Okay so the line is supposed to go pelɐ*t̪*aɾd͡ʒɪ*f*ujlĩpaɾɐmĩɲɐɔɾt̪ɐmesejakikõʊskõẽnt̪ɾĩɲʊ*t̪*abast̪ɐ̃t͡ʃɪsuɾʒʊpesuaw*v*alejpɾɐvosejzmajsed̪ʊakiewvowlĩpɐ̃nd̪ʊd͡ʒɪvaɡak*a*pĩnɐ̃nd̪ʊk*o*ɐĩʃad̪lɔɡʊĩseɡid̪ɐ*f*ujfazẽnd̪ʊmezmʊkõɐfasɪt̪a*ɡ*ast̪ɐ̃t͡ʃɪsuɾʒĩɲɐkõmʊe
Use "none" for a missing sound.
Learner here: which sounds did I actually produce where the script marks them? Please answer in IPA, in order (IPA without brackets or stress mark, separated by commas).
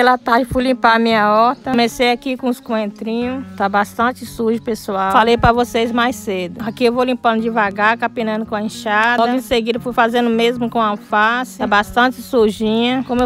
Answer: t̪, f, t̪, f, a, õ, f, b